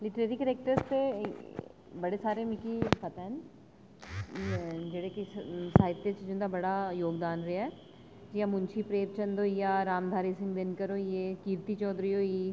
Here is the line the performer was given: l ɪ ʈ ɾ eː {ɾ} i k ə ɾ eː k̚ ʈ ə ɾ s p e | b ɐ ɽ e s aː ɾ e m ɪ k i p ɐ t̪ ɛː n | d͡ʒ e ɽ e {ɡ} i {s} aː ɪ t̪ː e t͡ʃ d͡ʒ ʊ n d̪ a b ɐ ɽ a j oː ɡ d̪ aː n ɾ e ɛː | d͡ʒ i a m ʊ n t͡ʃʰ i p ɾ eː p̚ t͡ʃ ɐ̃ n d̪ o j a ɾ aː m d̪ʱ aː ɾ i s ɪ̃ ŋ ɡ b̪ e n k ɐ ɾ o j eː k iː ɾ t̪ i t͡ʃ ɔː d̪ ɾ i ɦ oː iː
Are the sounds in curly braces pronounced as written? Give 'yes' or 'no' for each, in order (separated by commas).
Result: yes, no, yes